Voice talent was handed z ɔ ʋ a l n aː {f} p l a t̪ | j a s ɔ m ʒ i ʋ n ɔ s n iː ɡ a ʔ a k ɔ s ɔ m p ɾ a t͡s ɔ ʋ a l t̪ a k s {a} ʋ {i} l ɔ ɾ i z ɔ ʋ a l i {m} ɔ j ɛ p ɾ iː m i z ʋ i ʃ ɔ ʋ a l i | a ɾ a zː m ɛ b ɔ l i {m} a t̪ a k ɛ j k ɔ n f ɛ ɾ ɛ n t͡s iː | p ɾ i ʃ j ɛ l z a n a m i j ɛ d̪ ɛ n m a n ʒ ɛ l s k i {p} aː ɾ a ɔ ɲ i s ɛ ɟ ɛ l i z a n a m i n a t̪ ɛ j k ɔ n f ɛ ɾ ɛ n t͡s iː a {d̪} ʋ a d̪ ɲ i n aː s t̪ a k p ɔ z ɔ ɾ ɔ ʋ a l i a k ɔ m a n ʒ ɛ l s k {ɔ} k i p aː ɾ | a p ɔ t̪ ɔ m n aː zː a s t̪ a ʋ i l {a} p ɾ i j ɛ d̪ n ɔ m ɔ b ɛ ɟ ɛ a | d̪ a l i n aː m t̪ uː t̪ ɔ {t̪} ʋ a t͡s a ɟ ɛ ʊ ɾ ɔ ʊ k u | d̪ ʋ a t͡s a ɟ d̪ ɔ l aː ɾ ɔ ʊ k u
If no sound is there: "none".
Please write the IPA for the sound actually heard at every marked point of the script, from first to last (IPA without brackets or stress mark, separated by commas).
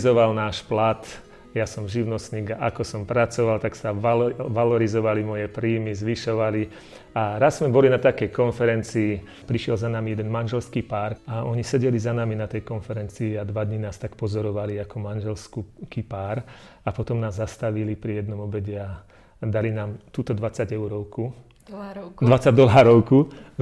ʃ, a, a, m, n, p, d̪, u, i, d̪